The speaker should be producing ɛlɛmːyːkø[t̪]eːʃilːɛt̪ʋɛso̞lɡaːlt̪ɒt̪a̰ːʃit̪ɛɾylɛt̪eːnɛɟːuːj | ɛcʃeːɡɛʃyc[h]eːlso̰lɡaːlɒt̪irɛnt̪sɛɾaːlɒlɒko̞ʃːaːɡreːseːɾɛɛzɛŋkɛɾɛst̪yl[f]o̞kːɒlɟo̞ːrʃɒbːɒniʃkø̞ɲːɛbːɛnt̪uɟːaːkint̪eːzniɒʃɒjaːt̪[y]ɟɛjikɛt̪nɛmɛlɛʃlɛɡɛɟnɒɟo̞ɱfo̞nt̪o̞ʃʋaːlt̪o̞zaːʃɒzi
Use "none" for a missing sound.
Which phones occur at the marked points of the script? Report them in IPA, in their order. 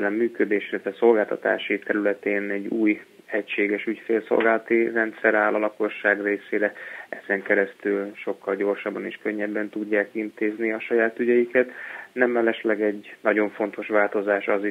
d̪, f, ʃ, y

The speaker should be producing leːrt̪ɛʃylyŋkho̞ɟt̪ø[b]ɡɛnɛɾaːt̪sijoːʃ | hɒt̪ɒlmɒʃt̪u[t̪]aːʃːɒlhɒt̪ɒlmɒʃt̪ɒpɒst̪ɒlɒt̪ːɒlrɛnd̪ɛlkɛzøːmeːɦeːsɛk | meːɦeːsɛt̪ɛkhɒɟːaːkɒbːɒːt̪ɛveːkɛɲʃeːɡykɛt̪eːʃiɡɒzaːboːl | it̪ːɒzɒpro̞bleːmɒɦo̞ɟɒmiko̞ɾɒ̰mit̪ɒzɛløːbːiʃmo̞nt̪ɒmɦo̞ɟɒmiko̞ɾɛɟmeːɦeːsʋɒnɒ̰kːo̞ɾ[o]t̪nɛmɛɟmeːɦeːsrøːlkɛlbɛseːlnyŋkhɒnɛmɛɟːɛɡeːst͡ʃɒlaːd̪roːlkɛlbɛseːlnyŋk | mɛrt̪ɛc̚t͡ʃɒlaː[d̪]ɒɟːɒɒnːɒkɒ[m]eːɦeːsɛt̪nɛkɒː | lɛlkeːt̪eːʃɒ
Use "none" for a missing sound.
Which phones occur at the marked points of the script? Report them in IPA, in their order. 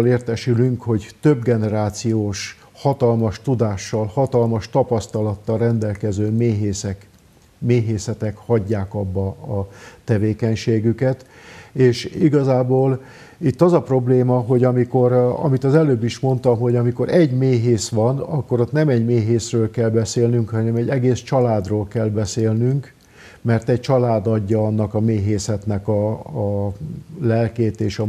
b, d̪, o, d̪, m

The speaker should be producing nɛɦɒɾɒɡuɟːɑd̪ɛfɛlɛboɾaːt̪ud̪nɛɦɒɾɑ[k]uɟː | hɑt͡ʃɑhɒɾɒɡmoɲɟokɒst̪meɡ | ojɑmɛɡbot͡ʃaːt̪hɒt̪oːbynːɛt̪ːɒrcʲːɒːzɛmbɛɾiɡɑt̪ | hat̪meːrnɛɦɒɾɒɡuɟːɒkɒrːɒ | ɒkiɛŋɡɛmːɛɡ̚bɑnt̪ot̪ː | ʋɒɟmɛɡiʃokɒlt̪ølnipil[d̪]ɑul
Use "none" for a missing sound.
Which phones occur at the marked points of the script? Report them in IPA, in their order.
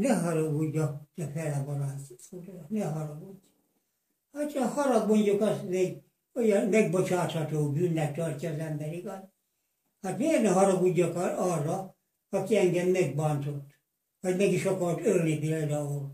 ɡ, d̪

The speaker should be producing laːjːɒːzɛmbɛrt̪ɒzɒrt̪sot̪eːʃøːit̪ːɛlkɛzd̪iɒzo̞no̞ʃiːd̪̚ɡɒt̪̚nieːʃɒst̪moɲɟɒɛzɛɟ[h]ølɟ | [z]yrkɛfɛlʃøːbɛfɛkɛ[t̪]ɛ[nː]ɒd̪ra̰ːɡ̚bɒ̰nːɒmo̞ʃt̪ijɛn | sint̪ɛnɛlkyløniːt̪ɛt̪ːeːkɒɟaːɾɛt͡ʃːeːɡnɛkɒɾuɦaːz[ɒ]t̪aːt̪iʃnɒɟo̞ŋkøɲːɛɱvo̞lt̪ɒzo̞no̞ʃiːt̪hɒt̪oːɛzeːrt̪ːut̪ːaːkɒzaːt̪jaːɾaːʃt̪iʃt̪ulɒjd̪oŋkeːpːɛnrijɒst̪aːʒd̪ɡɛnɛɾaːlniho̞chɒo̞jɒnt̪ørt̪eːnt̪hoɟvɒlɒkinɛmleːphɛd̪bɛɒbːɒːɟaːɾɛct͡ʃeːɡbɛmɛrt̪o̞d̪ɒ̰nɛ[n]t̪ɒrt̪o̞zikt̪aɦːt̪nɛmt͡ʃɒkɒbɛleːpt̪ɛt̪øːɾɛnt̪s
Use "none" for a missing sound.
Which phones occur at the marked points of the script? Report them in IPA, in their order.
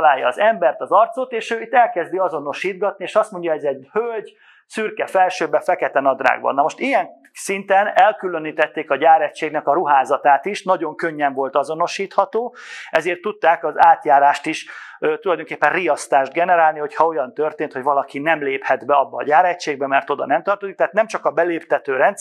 h, s, t̪, n, ɒ, m

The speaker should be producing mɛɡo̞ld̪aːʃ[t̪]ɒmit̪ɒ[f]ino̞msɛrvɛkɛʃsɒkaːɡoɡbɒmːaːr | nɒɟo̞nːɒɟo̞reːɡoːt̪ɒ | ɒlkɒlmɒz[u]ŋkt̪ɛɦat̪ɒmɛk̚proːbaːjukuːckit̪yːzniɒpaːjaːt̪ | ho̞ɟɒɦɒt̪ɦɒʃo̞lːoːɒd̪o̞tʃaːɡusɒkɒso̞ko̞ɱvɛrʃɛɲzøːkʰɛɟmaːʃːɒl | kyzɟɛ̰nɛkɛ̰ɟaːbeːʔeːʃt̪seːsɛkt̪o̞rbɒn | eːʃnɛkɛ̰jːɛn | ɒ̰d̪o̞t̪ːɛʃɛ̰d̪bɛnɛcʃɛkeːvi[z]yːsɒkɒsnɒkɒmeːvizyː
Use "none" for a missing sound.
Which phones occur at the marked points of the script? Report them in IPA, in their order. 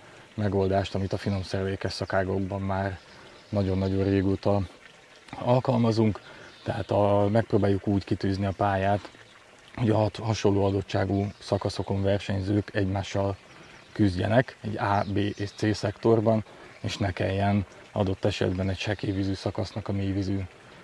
t̪, f, u, z

